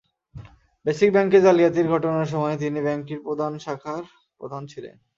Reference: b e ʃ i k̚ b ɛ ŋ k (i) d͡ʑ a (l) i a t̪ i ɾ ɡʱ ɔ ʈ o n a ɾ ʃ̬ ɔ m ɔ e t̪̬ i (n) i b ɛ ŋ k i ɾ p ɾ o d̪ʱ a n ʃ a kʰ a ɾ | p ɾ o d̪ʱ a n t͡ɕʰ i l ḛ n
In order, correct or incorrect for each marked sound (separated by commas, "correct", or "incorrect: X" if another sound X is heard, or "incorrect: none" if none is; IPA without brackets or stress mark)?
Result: incorrect: e, correct, correct